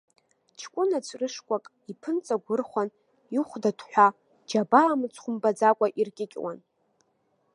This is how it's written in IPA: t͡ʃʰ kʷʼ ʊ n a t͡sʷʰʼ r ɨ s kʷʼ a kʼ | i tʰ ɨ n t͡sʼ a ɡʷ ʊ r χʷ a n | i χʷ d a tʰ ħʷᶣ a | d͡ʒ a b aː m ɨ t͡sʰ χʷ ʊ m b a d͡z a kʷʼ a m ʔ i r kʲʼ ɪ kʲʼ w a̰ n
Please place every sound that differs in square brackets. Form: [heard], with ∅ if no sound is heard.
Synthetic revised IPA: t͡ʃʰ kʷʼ ʊ n a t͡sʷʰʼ r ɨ [ʂ] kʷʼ a kʼ | i [pʰ] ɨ n t͡sʼ a ɡʷ ʊ r χʷ a n | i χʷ d a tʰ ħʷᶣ a | d͡ʒ a b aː m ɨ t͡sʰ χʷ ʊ m b a d͡z a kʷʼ a [∅] ʔ i r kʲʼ ɪ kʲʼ w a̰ n